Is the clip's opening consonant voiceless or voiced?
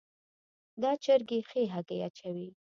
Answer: voiced